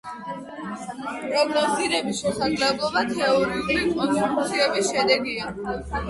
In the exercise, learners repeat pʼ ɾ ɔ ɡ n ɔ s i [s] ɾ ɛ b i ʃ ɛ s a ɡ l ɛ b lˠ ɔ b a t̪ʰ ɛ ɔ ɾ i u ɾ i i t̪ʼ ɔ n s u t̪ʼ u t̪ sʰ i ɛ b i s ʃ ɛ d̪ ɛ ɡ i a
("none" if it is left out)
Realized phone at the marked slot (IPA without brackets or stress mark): none